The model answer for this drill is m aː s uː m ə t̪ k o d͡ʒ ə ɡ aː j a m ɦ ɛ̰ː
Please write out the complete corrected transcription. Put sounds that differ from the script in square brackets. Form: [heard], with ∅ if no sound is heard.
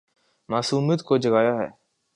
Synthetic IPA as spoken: m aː s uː m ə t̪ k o d͡ʒ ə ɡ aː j a [∅] ɦ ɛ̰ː